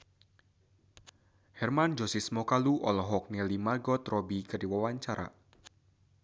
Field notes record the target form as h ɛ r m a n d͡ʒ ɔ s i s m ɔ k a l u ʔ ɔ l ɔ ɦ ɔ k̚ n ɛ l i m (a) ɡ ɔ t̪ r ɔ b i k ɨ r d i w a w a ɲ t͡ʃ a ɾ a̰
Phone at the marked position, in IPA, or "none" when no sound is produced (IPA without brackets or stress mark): a